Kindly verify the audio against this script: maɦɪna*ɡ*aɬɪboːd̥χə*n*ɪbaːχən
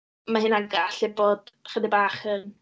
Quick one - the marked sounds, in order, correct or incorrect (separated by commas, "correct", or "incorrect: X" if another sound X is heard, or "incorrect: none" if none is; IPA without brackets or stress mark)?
correct, incorrect: d